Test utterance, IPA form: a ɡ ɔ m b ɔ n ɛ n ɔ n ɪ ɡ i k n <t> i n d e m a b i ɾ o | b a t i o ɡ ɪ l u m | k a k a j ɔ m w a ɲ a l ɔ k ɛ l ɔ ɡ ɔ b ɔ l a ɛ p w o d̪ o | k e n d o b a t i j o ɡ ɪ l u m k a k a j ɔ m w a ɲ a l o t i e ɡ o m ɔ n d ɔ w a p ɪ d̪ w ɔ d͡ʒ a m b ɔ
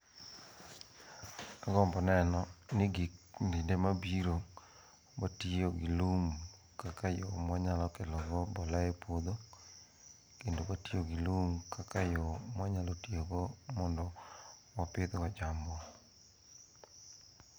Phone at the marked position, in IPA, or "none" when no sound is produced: d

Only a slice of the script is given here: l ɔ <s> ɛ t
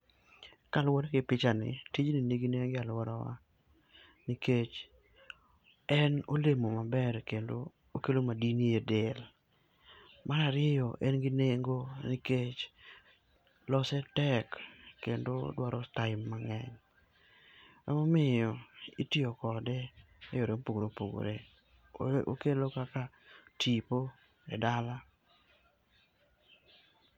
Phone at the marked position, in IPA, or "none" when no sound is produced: s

